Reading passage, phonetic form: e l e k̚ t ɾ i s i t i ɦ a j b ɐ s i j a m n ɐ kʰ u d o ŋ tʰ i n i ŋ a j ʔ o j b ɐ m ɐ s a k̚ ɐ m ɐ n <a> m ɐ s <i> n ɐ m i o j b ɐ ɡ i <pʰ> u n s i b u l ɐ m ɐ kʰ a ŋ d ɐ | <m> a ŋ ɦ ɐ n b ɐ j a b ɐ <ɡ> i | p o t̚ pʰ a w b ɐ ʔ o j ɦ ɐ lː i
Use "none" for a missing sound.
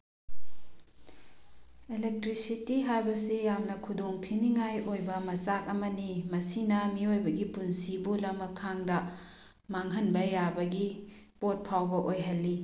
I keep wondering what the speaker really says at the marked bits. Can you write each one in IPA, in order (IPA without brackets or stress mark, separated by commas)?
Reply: i, i, p, m, ɡ